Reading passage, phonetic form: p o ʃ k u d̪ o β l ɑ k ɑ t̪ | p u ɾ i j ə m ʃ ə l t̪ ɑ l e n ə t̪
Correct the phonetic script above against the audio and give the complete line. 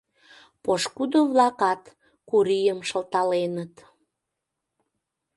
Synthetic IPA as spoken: p o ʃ k u d̪ o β l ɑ k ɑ t̪ | k u ɾ i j ə m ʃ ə l t̪ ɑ l e n ə t̪